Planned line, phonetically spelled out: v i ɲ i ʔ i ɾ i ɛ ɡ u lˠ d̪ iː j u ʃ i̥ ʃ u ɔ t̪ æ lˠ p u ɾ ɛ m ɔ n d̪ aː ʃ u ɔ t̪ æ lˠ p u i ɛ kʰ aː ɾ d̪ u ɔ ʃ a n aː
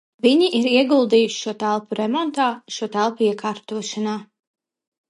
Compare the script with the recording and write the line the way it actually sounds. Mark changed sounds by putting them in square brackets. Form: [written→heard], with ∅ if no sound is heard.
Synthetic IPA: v i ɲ i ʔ i ɾ i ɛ ɡ u lˠ d̪ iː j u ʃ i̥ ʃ u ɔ t̪ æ lˠ p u ɾ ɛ m ɔ n [d̪→t̪] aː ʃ u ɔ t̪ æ lˠ p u i ɛ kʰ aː ɾ [d̪→t̪] u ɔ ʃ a n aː